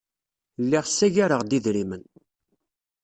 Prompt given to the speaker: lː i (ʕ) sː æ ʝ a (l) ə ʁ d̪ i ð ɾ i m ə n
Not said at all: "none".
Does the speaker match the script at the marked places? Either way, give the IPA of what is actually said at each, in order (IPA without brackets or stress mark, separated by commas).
ʁ, ɾ